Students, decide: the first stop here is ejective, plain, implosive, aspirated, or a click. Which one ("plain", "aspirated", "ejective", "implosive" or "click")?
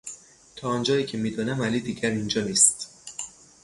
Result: aspirated